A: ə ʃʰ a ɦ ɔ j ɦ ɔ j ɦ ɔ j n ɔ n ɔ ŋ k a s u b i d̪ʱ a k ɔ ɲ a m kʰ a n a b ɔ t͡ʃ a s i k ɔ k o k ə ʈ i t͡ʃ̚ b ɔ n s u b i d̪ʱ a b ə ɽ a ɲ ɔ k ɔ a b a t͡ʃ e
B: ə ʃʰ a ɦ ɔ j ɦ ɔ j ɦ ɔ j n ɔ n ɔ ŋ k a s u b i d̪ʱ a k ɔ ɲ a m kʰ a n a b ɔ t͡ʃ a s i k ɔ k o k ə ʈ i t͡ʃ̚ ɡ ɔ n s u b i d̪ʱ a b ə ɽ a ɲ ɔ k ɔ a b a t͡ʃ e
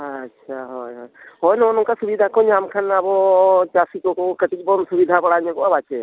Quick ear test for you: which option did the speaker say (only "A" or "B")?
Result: A